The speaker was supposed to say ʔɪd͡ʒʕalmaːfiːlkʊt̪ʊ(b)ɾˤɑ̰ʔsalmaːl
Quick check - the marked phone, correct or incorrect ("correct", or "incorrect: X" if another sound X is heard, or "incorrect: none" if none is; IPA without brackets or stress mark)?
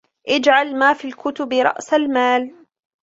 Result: correct